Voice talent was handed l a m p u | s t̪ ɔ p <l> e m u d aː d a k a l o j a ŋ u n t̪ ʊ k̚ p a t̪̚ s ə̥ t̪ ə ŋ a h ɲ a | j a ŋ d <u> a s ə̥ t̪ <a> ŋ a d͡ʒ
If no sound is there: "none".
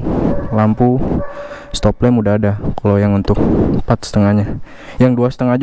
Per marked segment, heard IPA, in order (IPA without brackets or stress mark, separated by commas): l, u, ə